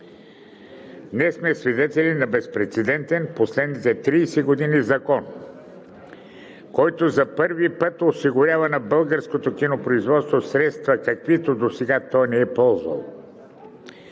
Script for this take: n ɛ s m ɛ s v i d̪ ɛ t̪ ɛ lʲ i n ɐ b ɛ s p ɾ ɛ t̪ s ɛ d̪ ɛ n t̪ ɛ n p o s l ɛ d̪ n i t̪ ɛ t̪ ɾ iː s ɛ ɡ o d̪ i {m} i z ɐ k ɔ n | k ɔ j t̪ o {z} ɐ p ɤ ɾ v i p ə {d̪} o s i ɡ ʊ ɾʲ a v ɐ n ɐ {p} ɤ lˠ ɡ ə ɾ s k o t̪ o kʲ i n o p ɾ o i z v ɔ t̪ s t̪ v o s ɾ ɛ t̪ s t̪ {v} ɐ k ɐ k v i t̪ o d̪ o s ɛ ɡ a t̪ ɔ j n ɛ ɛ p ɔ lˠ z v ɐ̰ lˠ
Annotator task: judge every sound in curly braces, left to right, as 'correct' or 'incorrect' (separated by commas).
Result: incorrect, correct, incorrect, incorrect, correct